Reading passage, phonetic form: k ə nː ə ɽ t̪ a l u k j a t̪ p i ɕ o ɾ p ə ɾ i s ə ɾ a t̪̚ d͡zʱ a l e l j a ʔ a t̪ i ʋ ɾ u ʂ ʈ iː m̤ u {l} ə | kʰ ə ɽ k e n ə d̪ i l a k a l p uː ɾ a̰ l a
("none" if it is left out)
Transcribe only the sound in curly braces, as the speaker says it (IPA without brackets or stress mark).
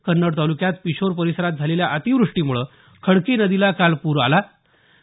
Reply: ɭ